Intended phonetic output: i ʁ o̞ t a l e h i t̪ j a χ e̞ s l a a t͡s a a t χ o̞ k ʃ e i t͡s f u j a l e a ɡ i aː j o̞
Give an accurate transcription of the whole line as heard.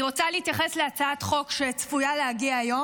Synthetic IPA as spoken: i ʁ o̞ t͡s a l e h i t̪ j a χ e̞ s l e a t͡s a a t χ o̞ k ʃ e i t͡s f u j a l e a ɡ i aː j o̞